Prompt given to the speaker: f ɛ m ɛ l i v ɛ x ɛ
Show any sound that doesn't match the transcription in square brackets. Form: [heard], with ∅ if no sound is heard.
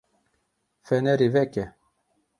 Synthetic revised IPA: f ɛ [n] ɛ [ɾ] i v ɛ [k] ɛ